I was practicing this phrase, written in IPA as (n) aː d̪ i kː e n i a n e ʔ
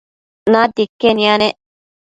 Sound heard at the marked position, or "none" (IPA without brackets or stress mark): n